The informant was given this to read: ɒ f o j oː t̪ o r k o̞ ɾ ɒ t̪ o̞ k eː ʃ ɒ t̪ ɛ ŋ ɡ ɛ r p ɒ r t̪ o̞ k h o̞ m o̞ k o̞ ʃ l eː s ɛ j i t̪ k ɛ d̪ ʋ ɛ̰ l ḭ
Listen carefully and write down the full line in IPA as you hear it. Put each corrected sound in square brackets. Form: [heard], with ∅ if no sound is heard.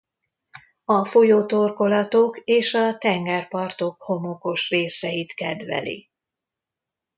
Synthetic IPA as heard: ɒ f o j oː t̪ o r k o̞ [l] ɒ t̪ o̞ k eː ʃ ɒ t̪ ɛ ŋ ɡ ɛ r p ɒ r t̪ o̞ k h o̞ m o̞ k o̞ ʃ [r] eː s ɛ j i t̪ k ɛ d̪ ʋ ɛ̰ l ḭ